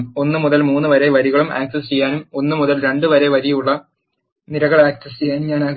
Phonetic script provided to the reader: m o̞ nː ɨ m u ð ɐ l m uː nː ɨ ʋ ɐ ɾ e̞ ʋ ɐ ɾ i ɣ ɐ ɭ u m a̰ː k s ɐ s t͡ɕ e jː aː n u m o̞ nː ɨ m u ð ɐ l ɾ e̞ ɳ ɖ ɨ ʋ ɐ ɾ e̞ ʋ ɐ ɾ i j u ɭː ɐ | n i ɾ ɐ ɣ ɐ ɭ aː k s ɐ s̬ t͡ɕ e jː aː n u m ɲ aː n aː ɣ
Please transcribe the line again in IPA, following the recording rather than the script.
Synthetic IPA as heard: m o̞ nː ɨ m u ð ɐ l m uː nː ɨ ʋ ɐ ɾ e̞ ʋ ɐ ɾ i ɣ ɐ ɭ u m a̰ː k s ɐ s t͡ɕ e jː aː n u m o̞ nː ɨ m u ð ɐ l ɾ e̞ ɳ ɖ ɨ ʋ ɐ ɾ e̞ ʋ ɐ ɾ i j u ɭː ɐ | n i ɾ ɐ ɣ ɐ ɭ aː k s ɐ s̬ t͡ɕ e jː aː n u m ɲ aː n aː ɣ